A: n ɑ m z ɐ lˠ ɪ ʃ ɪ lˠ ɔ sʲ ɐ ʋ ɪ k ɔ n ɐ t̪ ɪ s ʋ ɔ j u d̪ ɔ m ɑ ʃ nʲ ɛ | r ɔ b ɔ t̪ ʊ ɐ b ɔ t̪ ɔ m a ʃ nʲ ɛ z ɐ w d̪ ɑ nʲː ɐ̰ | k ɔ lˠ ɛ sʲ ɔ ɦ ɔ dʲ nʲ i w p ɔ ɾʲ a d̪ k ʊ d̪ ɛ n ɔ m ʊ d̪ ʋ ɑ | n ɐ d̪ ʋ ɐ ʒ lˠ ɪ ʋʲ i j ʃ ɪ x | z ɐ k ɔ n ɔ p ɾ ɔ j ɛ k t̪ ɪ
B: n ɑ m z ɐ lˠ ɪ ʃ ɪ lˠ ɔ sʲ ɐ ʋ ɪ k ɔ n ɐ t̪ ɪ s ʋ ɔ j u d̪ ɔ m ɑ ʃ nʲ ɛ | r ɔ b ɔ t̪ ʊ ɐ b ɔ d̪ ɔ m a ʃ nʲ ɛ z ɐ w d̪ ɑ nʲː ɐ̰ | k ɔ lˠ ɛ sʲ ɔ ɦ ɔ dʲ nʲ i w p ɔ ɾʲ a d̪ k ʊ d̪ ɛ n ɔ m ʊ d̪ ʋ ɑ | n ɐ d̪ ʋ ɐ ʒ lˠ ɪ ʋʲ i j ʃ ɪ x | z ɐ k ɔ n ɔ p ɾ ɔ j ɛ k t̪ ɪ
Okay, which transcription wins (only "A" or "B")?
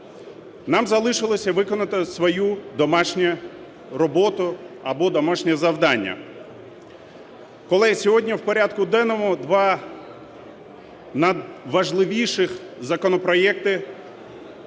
B